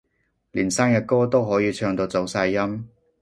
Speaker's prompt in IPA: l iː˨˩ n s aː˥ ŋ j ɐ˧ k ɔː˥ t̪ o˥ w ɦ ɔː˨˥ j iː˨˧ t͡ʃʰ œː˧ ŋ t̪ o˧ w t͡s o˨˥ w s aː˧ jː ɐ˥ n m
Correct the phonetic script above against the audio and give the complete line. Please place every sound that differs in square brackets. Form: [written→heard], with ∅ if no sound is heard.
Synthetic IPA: l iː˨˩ n s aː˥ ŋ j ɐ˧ k ɔː˥ t̪ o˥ w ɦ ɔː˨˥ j iː˨˧ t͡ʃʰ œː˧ ŋ t̪ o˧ w t͡s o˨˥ w s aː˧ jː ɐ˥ [n→∅] m